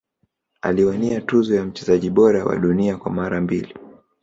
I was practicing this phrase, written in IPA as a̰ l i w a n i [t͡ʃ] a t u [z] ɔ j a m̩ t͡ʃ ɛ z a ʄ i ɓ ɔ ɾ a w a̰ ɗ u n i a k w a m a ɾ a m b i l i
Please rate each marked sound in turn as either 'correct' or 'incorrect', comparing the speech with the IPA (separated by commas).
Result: incorrect, correct